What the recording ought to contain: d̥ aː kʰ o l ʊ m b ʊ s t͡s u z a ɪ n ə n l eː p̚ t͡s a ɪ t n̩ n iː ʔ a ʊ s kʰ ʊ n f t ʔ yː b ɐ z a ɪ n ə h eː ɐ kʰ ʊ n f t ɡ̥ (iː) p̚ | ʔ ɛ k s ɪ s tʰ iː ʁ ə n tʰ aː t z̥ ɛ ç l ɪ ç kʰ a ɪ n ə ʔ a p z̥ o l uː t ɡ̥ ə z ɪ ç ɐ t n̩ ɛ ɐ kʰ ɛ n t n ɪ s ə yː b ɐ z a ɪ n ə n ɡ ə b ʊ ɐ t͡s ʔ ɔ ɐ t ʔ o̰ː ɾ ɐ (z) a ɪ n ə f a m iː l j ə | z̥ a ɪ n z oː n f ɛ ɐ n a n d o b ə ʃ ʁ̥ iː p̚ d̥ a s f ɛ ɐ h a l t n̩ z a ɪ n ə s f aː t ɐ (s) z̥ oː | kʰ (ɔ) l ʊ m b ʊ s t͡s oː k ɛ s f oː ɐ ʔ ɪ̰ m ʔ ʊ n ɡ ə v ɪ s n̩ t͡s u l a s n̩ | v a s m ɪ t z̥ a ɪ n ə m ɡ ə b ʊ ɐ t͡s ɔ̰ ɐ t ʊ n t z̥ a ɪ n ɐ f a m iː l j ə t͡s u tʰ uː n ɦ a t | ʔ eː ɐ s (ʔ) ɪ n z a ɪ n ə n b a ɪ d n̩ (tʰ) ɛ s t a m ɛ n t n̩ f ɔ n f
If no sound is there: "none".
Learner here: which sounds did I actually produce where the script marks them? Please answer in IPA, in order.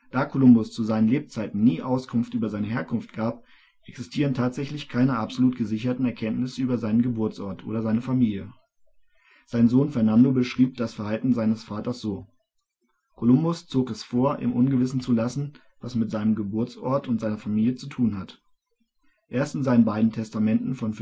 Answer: aː, z, s, o, t, tʰ

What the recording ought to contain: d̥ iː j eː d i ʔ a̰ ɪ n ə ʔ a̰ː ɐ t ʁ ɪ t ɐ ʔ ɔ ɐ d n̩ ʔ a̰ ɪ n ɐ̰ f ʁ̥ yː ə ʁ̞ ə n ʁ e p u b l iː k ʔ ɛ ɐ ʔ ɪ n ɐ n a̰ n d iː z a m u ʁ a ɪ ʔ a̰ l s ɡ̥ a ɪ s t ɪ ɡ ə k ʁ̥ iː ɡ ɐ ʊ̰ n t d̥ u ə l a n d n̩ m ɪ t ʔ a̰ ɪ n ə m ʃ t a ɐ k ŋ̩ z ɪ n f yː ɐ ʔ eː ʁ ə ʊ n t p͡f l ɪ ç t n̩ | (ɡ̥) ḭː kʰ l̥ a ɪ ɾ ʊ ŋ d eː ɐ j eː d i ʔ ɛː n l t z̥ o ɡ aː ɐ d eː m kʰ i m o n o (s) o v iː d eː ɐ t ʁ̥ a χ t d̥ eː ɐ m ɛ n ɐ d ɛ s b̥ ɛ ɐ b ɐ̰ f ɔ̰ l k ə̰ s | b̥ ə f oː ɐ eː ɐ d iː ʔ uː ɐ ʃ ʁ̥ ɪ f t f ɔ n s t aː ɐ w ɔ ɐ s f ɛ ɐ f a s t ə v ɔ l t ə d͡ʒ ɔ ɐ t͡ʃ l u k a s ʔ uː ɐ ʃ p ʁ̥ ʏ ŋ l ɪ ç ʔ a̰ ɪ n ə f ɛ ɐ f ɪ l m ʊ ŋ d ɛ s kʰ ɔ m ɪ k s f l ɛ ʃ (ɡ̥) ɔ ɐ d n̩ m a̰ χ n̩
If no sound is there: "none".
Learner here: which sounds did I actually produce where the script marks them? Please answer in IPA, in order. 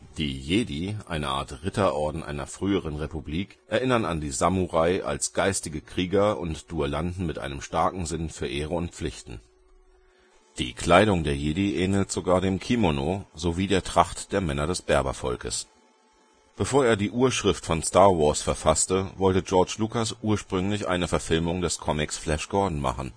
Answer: d̥, z, ɡ̥

